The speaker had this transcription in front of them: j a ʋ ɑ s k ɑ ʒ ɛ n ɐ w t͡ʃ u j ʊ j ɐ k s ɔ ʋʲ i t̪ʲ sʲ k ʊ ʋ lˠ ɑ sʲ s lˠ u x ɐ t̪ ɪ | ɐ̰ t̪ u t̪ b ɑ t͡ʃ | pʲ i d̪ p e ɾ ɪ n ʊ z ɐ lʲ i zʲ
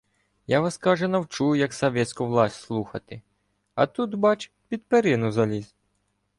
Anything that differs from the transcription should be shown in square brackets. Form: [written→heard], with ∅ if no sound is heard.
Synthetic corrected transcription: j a ʋ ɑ s k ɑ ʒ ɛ n ɐ w t͡ʃ u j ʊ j ɐ k s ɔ ʋʲ [i→ɛ] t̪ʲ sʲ k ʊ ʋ lˠ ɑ sʲ s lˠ u x ɐ t̪ ɪ | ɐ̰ t̪ u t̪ b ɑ t͡ʃ | pʲ i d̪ p e ɾ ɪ n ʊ z ɐ lʲ i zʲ